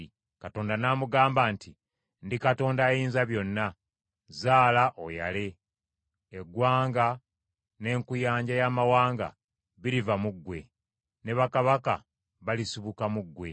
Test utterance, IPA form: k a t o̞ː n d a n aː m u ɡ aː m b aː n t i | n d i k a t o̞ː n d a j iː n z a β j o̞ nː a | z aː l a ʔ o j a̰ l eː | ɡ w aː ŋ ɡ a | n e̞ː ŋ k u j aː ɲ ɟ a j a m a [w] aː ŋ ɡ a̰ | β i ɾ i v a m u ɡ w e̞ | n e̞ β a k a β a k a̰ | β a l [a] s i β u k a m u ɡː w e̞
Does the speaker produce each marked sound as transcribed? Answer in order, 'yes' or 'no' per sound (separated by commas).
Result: yes, no